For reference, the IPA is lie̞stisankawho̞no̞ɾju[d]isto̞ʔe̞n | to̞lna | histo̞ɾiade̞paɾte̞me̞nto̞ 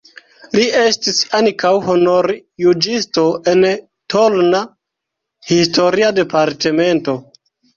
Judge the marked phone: incorrect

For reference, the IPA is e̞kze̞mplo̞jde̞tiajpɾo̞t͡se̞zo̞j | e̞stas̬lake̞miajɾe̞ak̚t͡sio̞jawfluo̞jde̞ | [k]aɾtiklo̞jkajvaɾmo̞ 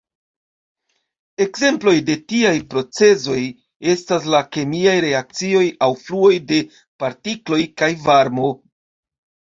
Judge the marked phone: incorrect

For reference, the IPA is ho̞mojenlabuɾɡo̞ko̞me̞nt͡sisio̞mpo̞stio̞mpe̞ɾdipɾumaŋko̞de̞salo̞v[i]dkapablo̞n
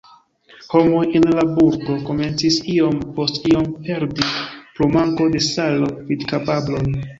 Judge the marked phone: correct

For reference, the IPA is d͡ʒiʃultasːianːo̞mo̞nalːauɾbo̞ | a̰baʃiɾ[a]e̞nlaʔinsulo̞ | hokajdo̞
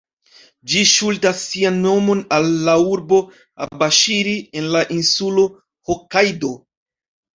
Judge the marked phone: incorrect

